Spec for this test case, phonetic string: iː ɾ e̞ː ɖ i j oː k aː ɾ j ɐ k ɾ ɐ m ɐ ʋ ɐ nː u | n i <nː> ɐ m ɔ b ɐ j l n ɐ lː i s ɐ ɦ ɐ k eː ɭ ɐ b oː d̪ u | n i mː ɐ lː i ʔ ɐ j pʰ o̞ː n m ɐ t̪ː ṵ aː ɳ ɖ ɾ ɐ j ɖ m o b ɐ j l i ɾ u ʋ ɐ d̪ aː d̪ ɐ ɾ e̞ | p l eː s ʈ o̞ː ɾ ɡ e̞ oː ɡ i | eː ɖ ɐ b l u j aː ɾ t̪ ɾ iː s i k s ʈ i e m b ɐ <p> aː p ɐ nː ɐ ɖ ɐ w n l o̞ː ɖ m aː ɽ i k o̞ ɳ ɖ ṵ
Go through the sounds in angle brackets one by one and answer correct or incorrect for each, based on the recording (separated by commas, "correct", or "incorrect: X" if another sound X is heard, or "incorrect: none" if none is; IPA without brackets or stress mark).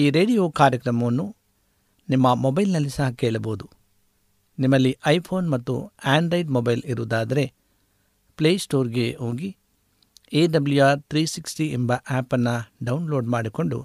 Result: incorrect: mː, incorrect: ʔ